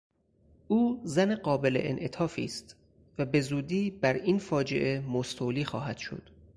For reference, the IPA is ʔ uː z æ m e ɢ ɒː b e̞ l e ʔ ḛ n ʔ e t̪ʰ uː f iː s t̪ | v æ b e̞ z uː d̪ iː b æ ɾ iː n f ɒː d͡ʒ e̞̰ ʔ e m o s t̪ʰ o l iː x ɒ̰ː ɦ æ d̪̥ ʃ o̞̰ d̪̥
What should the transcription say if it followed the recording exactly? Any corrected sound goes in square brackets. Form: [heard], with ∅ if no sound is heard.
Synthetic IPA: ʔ uː z æ [n] e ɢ ɒː b e̞ l e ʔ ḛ n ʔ e t̪ʰ [ɒː] f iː s t̪ | v æ b e̞ z uː d̪ iː b æ ɾ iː n f ɒː d͡ʒ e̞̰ ʔ e m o s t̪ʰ o l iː x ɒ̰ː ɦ æ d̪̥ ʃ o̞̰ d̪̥